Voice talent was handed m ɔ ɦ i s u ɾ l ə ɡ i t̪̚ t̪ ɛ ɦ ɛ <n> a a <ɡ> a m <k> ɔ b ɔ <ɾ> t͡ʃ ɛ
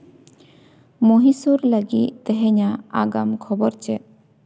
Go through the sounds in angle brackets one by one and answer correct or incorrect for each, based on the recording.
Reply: incorrect: ɲ, correct, incorrect: kʰ, correct

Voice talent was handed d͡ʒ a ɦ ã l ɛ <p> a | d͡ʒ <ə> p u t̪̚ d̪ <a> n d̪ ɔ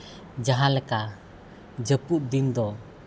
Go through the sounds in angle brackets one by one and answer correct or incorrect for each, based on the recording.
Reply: incorrect: k, correct, incorrect: i

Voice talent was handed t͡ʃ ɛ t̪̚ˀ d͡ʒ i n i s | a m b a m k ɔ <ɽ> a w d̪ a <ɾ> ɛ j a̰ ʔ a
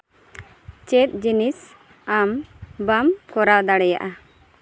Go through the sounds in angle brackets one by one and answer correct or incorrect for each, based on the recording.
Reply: incorrect: ɾ, incorrect: ɽ

